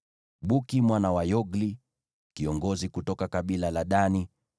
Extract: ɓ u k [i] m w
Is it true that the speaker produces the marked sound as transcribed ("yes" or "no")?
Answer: yes